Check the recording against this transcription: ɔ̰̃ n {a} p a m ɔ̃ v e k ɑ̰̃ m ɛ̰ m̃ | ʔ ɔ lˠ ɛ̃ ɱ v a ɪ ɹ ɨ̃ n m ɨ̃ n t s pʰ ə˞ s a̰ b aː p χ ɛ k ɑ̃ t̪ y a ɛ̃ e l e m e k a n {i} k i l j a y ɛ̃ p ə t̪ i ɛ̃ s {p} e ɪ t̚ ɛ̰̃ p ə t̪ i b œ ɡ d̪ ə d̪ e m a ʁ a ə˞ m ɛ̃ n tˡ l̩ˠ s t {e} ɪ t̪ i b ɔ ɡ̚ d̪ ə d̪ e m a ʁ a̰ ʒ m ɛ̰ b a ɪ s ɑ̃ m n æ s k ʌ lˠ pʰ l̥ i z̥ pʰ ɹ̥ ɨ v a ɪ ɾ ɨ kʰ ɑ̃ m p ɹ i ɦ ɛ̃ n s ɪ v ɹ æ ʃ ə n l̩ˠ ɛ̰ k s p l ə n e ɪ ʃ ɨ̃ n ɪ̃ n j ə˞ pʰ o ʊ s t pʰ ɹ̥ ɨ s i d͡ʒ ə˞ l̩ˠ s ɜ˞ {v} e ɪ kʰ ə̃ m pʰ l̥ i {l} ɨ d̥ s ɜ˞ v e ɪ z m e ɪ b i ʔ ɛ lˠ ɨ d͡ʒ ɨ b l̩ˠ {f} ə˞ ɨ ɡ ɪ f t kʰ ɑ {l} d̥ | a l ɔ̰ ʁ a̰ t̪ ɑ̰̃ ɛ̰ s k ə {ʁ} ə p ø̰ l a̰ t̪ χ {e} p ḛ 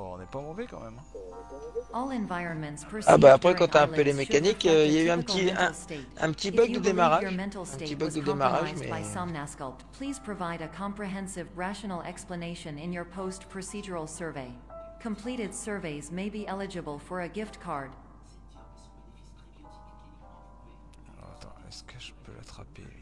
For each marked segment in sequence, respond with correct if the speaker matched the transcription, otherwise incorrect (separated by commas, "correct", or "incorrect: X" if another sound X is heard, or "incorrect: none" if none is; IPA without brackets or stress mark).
incorrect: ɛ, correct, incorrect: t, correct, correct, incorrect: ɾ, correct, incorrect: ɹ, incorrect: ʒ, incorrect: a